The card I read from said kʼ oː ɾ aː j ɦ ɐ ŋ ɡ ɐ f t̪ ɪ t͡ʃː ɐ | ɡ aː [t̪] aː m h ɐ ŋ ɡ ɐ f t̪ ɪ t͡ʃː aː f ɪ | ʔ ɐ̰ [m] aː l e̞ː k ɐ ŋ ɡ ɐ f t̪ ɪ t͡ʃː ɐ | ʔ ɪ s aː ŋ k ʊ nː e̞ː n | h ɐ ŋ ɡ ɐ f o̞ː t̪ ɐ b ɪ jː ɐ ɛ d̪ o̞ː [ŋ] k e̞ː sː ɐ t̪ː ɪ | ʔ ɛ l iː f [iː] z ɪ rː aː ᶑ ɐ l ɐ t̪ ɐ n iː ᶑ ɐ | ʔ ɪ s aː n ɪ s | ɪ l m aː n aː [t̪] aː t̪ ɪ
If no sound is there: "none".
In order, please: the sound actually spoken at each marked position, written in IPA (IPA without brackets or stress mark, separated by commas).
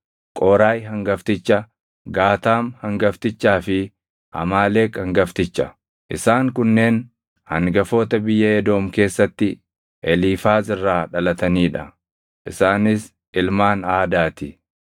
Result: t̪, m, m, aː, d̪